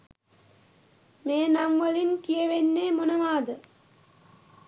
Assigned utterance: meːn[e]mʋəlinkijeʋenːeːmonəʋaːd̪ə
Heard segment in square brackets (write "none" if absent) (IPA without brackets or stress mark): a